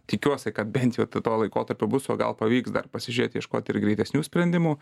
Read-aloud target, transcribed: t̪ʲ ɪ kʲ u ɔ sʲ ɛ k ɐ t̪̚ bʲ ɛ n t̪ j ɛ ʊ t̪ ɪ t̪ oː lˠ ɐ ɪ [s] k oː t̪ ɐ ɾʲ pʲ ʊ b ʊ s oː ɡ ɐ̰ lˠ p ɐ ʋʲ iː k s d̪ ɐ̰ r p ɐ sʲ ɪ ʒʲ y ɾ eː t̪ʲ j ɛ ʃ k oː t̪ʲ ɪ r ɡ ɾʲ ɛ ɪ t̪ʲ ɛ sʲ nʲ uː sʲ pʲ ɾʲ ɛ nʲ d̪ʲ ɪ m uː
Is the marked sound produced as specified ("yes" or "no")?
no